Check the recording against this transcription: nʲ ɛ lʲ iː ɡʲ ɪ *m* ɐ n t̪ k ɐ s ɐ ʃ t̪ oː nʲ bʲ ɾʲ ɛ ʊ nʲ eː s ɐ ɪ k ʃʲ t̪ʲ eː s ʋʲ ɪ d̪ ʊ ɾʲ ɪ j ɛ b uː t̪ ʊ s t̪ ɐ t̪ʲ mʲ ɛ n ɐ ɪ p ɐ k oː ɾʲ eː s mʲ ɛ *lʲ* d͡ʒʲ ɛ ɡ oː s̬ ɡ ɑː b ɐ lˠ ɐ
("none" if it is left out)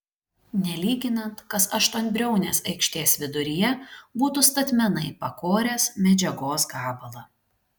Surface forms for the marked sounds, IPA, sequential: n, none

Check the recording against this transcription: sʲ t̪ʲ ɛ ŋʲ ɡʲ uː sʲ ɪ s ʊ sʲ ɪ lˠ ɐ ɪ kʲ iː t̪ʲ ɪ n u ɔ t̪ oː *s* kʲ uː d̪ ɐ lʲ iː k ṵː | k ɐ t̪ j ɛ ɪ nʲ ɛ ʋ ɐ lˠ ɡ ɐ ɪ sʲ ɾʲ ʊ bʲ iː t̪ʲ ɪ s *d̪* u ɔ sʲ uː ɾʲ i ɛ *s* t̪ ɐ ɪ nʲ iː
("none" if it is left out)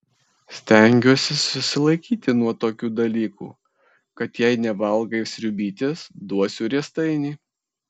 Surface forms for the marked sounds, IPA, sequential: none, d̪, s

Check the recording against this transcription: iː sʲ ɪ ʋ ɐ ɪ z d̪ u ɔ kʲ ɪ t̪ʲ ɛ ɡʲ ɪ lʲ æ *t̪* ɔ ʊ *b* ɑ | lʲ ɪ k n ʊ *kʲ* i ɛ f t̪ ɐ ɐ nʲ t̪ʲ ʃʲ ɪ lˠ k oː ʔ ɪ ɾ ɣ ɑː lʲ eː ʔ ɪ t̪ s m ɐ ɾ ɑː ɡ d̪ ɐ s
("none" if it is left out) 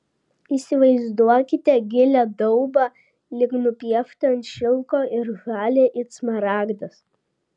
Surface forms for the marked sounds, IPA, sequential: d̪, b, pʲ

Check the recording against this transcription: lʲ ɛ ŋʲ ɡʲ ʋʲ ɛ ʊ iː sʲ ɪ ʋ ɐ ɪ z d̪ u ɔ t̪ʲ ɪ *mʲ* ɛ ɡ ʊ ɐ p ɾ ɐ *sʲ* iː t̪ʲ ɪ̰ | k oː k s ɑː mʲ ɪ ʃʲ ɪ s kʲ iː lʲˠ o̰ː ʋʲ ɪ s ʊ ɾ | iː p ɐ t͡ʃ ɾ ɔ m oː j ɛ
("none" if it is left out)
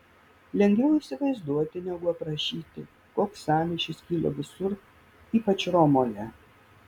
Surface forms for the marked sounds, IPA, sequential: nʲ, ʃʲ

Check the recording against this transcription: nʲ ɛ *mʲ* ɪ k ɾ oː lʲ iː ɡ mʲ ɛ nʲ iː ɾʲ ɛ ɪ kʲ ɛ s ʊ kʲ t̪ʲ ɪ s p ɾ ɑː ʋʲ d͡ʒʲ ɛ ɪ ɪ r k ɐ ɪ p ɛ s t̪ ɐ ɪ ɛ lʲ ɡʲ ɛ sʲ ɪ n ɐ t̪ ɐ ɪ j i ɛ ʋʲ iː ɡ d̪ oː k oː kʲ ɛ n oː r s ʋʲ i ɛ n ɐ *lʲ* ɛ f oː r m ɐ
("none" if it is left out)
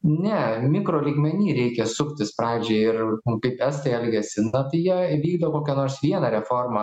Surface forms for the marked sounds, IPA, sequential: mʲ, ɾʲ

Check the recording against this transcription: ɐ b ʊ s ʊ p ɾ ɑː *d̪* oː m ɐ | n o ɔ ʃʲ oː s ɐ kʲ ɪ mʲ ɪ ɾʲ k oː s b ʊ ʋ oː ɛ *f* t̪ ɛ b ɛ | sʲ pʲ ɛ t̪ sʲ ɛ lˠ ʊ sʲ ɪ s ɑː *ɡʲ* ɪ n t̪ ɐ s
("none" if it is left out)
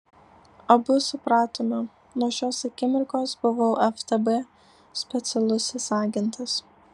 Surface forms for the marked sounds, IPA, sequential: t̪, f, ɡʲ

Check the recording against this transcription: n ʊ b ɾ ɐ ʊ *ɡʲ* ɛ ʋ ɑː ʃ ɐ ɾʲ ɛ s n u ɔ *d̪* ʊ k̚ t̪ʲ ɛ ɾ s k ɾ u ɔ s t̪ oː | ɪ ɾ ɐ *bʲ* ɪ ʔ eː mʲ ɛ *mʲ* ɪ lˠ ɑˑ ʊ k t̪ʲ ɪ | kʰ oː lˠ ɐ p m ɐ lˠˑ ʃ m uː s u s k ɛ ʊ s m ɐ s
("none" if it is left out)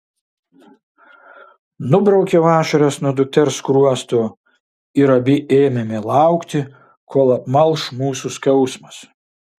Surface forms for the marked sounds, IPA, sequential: kʲ, d̪, bʲ, mʲ

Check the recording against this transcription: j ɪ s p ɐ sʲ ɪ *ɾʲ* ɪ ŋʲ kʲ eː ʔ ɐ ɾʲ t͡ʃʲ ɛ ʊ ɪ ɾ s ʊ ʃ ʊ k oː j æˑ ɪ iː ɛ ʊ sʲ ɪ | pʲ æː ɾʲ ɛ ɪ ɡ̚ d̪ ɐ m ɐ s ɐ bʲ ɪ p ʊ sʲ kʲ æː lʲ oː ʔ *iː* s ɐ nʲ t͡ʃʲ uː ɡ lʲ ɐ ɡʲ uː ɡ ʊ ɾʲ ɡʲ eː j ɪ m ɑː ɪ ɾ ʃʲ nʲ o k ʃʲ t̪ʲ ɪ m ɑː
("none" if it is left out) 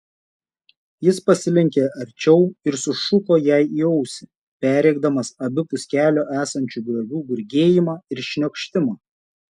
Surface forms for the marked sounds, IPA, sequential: lʲ, æː

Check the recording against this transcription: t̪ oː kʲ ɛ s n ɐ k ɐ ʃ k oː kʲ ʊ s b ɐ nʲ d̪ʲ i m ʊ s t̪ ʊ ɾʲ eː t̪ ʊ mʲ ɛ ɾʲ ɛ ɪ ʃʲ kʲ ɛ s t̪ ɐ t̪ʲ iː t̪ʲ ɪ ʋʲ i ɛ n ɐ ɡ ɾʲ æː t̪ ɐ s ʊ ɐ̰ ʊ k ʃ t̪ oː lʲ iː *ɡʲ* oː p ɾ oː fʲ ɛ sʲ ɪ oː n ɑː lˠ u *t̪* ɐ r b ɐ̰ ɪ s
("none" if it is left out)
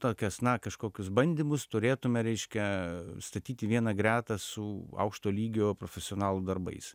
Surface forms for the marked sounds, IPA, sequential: ɡʲ, d̪

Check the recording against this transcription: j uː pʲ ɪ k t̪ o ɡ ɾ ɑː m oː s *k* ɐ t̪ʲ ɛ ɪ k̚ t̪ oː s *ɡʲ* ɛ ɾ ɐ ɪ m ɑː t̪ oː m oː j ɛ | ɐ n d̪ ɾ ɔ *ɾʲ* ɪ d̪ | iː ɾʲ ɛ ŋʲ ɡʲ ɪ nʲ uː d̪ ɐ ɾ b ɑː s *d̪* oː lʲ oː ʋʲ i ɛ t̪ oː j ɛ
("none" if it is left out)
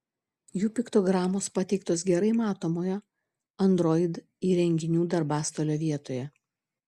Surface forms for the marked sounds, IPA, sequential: p, ɡʲ, none, t̪

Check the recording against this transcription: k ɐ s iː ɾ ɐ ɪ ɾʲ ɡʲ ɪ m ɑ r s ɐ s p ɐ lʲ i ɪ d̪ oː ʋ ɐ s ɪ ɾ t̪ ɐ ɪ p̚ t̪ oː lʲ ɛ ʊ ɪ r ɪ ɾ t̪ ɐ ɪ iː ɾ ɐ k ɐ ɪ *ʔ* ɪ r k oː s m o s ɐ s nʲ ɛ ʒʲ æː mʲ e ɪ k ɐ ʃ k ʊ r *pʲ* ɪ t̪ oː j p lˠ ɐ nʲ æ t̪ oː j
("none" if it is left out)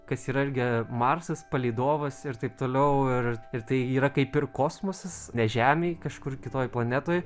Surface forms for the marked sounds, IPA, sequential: p, kʲ

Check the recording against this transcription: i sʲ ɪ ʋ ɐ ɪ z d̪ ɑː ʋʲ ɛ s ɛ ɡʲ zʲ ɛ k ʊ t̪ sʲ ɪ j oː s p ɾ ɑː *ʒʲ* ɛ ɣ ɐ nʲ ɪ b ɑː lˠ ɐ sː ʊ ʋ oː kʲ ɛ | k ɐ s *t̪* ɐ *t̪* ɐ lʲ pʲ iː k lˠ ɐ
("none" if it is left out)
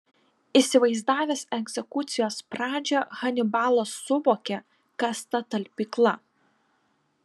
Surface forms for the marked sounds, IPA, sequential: d͡ʒʲ, t̪, t̪

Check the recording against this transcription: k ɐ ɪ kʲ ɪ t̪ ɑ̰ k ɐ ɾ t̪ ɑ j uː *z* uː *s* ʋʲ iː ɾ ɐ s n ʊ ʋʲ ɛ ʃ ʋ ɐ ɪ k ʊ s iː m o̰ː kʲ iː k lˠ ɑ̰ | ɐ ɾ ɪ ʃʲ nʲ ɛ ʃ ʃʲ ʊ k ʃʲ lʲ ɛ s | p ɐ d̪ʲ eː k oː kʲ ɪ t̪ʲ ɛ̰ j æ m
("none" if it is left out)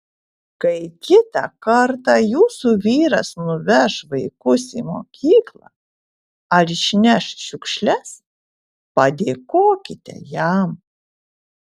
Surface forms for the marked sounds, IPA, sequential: s, none

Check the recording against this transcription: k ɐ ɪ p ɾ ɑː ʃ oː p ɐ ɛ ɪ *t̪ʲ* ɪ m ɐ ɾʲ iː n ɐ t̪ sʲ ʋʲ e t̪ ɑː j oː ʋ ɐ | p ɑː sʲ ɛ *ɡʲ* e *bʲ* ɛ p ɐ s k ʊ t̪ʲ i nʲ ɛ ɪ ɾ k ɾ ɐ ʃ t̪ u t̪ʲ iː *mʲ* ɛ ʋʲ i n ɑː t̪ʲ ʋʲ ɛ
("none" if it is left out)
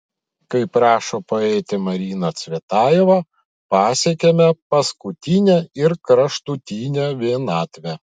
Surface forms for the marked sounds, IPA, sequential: t̪ʲ, kʲ, mʲ, nʲ

